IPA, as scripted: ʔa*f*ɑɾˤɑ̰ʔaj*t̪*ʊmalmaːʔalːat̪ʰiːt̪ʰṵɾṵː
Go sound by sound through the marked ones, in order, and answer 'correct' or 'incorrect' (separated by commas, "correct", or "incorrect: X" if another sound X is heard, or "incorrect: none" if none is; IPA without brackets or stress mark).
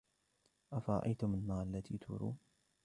correct, correct